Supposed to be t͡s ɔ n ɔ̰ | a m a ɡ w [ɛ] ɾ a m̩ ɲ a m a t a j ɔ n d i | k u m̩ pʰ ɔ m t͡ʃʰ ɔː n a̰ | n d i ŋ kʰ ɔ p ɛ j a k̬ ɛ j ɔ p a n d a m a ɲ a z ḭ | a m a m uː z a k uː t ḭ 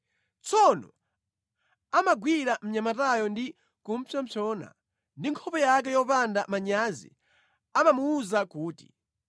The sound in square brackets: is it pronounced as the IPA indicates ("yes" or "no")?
no